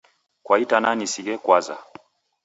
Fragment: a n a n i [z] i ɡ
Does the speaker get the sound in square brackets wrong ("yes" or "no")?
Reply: yes